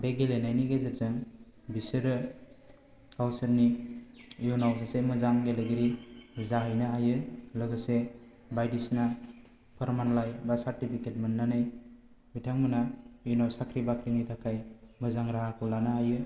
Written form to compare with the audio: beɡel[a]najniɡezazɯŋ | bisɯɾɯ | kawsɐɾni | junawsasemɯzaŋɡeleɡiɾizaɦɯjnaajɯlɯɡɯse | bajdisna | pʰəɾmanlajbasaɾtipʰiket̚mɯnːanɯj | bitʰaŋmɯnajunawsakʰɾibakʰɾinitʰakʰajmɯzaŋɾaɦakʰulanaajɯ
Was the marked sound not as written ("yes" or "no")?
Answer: yes